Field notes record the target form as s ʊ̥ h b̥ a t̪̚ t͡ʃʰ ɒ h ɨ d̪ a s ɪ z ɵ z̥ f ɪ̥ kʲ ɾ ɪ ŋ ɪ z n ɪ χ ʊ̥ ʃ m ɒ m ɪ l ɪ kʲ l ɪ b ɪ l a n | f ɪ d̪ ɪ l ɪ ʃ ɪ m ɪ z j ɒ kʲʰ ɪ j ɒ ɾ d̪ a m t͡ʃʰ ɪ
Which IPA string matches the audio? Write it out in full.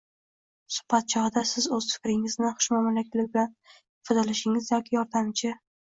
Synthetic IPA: s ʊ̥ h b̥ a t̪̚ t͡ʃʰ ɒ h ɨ d̪ a s ɪ z ɵ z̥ f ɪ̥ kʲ ɾ ɪ ŋ ɪ z n ɪ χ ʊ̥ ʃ m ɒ m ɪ l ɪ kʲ l ɪ b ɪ l a n | f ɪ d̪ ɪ l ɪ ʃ ɪ ŋ ɪ z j ɒ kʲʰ ɪ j ɒ ɾ d̪ a m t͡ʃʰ ɪ

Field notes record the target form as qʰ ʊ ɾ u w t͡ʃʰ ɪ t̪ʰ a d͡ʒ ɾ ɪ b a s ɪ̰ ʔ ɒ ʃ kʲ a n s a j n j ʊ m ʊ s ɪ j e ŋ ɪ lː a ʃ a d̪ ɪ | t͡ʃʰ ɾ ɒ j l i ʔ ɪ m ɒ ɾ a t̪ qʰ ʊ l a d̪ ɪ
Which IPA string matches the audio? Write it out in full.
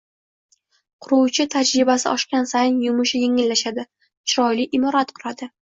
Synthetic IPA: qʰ ʊ ɾ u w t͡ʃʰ ɪ t̪ʰ a d͡ʒ ɾ ɪ b a s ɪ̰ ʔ ɒ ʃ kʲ a n s a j n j ʊ m ʊ ʃ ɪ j e ŋ ɪ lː a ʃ a d̪ ɪ | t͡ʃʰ ɾ ɒ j l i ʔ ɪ m ɒ ɾ a t̪ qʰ ʊ ɾ a d̪ ɪ

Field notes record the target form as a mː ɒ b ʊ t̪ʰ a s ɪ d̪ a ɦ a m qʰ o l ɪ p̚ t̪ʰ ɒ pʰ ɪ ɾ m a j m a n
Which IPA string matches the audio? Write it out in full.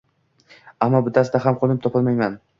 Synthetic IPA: a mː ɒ b ʊ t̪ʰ a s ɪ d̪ a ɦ a m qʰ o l ɪ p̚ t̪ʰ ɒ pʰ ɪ l m a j m a n

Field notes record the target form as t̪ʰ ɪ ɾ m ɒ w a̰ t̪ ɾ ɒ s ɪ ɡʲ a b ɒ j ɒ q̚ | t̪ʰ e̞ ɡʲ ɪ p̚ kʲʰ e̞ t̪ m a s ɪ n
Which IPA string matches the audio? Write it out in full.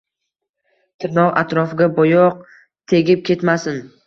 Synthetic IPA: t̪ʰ ɪ ɾ n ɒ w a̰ t̪ ɾ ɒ f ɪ ɡʲ a b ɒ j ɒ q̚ | t̪ʰ e̞ ɡʲ ɪ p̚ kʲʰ e̞ t̪ m a s ɪ n

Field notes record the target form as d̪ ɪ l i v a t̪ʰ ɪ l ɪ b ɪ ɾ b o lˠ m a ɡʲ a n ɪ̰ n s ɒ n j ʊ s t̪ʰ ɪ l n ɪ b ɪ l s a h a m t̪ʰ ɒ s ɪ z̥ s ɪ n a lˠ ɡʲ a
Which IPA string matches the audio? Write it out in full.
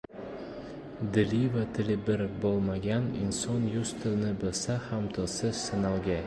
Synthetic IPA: d̪ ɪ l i v a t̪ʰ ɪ l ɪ b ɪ ɾ b o lˠ m a ɡʲ a n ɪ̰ n s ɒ n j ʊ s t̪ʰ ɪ l n ɪ b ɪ l s a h a m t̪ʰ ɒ s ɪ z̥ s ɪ n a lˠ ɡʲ a

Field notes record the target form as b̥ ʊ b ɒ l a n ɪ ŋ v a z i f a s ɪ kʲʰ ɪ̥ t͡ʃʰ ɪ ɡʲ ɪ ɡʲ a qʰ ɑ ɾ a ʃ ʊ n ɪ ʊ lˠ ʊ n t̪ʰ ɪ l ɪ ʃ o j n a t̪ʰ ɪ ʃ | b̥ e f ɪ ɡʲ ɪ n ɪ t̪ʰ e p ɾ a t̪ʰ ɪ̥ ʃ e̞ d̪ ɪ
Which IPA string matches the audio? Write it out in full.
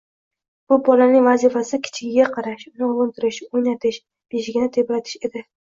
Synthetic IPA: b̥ ʊ b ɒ l a n ɪ ŋ v a z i f a s ɪ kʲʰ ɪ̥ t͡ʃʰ ɪ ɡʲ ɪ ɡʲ a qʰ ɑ ɾ a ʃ ʊ n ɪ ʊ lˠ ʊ n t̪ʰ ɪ ɾ ɪ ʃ o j n a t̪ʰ ɪ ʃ | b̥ e ʃ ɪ ɡʲ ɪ n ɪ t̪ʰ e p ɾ a t̪ʰ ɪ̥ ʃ e̞ d̪ ɪ

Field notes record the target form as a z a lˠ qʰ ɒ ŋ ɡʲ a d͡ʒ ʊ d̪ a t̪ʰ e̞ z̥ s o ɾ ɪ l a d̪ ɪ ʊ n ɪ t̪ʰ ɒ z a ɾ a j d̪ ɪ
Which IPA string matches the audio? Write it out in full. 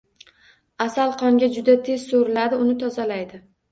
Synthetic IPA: a s a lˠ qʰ ɒ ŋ ɡʲ a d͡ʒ ʊ d̪ a t̪ʰ e̞ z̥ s o ɾ ɪ l a d̪ ɪ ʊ n ɪ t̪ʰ ɒ z a l a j d̪ ɪ

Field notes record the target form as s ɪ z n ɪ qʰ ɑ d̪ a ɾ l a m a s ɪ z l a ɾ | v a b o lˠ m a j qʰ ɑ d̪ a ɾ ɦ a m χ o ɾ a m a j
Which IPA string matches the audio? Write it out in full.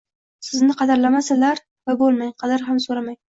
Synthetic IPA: s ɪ z n ɪ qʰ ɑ d̪ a ɾ l a m a s ɪ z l a ɾ | v a b o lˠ m a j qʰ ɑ d̪ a ɾ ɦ a m s o ɾ a m a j

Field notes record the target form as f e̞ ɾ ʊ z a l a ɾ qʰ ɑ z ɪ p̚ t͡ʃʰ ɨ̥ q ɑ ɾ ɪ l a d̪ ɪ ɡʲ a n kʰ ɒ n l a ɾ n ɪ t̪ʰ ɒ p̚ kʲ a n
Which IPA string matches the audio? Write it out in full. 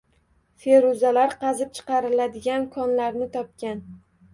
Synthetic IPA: f e̞ ɾ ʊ z a l a ɾ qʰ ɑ z ɪ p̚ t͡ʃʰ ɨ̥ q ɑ ɾ ɪ l a d̪ ɪ ɡʲ a n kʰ ɒ n l a ɾ n ɪ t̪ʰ ɒ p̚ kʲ a n

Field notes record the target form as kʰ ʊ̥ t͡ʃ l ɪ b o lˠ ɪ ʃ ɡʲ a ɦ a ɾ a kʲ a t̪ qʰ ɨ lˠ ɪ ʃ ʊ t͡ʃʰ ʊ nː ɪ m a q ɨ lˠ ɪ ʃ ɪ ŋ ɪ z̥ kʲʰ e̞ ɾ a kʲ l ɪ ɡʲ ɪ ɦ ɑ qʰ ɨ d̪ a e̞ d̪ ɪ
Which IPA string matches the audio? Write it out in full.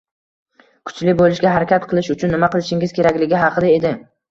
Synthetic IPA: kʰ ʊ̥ t͡ʃ l ɪ b o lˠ ɪ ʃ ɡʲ a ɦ a ɾ a kʲ a t̪ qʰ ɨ lˠ ɪ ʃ ʊ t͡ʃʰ ʊ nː ɪ m a q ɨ lˠ ɪ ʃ ɪ ŋ ɪ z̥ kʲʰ e̞ ɾ a kʲ l ɪ ɡʲ ɪ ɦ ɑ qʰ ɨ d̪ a e̞ d̪ ɪ

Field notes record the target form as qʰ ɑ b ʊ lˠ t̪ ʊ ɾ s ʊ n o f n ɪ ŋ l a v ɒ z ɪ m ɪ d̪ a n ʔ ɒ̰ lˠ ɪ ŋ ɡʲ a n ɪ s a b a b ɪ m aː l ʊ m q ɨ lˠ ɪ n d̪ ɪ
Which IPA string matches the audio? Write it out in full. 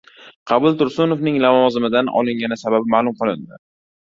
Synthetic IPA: qʰ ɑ b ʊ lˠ t̪ ʊ ɾ s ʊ n o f n ɪ ŋ l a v ɒ z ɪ m ɪ d̪ a n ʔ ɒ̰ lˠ ɪ ŋ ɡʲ a n ɪ s a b a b ɪ m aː l ʊ m q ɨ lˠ ɪ n d̪ ɪ

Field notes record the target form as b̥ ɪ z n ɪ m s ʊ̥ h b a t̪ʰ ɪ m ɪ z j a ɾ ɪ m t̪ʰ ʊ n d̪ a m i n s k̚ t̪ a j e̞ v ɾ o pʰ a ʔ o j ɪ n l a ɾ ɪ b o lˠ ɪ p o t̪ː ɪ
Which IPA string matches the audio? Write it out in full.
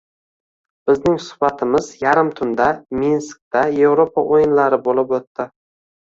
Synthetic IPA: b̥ ɪ z n ɪ ŋ s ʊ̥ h b a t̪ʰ ɪ m ɪ z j a ɾ ɪ m t̪ʰ ʊ n d̪ a m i n s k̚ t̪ a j e̞ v ɾ o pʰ a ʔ o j ɪ n l a ɾ ɪ b o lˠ ɪ p o t̪ː ɪ

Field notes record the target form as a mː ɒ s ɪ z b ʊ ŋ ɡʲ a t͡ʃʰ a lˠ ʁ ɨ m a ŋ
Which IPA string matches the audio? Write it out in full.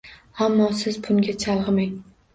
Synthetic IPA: a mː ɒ s ɪ z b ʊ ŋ ɡʲ a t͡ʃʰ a lˠ ʁ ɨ m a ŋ

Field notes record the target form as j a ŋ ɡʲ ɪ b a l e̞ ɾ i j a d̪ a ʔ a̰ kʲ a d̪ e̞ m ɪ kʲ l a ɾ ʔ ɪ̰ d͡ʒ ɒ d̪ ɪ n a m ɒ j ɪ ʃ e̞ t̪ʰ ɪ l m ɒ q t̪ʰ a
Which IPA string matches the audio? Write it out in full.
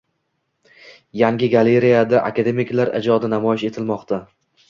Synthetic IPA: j a ŋ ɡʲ ɪ ɡ a l e̞ ɾ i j a d̪ a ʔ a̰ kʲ a d̪ e̞ m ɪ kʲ l a ɾ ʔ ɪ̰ d͡ʒ ɒ d̪ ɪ n a m ɒ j ɪ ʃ e̞ t̪ʰ ɪ l m ɒ q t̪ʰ a

